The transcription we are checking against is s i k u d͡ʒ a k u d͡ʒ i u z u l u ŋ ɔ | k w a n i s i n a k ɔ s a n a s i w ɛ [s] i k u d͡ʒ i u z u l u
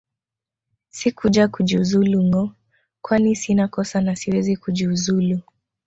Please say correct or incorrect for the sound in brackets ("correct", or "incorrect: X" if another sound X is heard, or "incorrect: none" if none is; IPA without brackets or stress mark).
incorrect: z